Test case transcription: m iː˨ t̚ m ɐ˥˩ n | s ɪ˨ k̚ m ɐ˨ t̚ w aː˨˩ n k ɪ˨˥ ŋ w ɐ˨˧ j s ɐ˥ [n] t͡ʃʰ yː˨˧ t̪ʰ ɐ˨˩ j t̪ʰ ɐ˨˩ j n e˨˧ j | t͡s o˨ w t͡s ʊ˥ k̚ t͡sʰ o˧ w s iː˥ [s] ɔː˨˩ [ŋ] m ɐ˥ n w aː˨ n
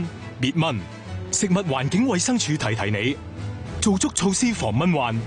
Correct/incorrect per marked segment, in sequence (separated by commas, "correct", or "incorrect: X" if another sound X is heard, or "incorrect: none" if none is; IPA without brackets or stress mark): incorrect: ŋ, incorrect: f, correct